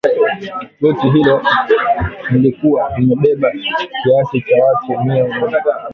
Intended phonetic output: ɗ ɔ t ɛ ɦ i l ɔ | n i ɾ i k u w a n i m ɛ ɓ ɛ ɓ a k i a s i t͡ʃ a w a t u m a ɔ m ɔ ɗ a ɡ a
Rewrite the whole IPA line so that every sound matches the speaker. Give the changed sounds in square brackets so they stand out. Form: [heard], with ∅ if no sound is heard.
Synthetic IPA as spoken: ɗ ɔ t [i] ɦ i l ɔ | n i [l] i k u w a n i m ɛ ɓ ɛ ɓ a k i a s i t͡ʃ a w a t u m [i] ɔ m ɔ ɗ a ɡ a

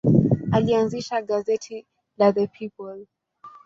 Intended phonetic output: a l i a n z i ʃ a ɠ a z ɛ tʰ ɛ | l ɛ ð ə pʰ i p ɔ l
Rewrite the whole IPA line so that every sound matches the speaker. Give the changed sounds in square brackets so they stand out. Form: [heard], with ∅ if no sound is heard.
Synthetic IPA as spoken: a l i a n z i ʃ a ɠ a z ɛ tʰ [i] | l [a] ð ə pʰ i p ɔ l

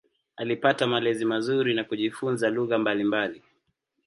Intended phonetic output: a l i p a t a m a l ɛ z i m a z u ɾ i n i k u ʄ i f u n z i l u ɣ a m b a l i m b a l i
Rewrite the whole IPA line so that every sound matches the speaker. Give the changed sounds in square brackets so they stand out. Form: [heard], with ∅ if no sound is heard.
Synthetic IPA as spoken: a l i p a t a m a l ɛ z i m a z u ɾ i n [a] k u ʄ i f u n z [a] l u ɣ a m b a l i m b a l i

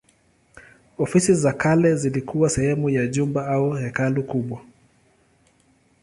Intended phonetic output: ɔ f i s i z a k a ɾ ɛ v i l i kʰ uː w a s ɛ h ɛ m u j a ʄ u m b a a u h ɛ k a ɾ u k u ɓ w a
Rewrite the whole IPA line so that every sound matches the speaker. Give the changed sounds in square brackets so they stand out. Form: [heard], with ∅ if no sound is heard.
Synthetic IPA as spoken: ɔ f i s i z a k a [l] ɛ [z] i l i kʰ [u] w a s ɛ h ɛ m u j a ʄ u m b a a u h ɛ k a [l] u k u ɓ w a

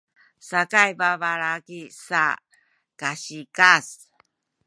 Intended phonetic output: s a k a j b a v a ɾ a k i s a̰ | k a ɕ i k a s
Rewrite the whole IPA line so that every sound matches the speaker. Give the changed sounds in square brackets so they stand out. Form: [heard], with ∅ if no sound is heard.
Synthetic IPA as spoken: s a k a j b a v a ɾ a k i s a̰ | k a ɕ i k a s

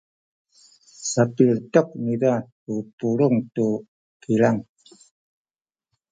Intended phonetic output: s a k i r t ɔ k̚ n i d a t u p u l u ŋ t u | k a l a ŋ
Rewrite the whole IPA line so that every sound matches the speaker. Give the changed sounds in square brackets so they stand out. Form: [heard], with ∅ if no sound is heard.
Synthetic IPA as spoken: s a [p] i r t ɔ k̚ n i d a t u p u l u ŋ t u | k [i] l a ŋ

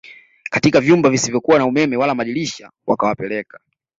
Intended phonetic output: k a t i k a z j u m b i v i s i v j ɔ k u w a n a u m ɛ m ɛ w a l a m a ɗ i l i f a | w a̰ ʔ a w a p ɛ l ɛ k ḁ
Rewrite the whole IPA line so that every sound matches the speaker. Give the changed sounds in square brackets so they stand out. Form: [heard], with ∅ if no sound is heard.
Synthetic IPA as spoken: k a t i k a [v] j u m b [a] v i s i v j ɔ k u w a n a u m ɛ m ɛ w a l a m a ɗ i l i [ʃ] a | w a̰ [k] a w a p ɛ l ɛ k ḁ

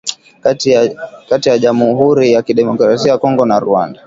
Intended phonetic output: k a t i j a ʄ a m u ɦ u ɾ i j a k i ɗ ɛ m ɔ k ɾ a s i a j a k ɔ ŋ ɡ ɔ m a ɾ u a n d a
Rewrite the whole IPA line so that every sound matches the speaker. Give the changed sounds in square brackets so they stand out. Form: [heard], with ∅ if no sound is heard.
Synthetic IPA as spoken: k a t i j a ʄ a m u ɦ u ɾ i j a k i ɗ ɛ m ɔ k ɾ a s i a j a k ɔ ŋ ɡ ɔ [n] a ɾ u a n d a

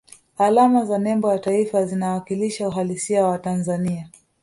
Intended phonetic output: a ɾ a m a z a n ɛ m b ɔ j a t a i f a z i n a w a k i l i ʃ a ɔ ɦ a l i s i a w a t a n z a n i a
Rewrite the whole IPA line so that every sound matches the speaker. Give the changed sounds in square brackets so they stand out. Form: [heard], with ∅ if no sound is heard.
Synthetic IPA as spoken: a [l] a m a z a n ɛ m b ɔ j a t a i f a z i n a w a k i l i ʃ a [u] ɦ a l i s i a w a t a n z a n i a

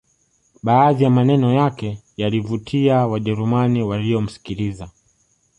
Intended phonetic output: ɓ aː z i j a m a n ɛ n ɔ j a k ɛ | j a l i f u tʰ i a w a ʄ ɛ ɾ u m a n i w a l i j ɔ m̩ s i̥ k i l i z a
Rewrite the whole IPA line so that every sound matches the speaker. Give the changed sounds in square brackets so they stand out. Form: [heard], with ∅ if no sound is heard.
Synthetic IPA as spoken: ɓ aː [ð] i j a m a n ɛ n ɔ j a k ɛ | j a l i [v] u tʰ i a w a ʄ ɛ ɾ u m a n i w a l i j ɔ m̩ s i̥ k i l i z a

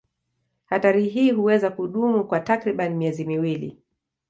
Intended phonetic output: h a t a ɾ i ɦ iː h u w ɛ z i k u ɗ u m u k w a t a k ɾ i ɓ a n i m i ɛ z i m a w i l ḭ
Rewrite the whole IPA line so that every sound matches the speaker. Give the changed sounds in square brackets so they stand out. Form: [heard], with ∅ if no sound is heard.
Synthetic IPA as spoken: h a t a ɾ i ɦ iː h u w ɛ z [a] k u ɗ u m u k w a t a k ɾ i ɓ a n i m i ɛ z i m [i] w i l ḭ

